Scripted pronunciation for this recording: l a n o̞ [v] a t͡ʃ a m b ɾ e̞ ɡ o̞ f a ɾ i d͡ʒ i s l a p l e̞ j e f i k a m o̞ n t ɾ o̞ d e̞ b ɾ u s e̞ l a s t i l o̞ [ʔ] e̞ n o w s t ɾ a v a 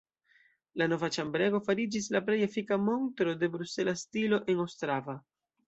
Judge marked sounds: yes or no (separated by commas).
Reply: yes, yes